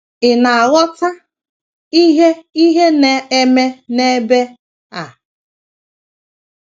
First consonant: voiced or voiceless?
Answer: voiced